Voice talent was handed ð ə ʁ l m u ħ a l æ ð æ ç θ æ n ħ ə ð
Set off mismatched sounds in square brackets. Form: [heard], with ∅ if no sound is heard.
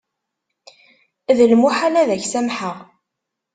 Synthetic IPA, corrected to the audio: ð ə [∅] l m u ħ a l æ ð æ ç [s] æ [m] ħ ə [ʁ]